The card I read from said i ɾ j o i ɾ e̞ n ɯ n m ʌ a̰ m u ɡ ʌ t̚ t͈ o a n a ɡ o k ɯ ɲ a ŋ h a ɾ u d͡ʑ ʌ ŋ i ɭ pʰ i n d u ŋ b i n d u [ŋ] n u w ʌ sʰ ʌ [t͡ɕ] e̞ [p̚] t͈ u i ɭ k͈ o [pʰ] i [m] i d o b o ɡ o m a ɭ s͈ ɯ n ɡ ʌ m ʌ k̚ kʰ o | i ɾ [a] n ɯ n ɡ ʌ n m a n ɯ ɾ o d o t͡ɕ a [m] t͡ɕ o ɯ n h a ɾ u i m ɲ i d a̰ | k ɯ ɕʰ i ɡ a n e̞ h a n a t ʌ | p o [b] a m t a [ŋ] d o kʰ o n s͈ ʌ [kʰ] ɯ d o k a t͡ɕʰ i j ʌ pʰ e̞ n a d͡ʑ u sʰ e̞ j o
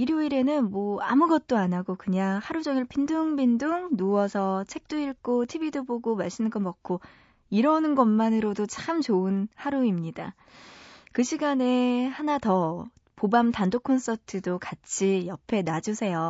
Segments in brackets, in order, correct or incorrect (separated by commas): correct, incorrect, incorrect, incorrect, incorrect, incorrect, correct, correct, incorrect, incorrect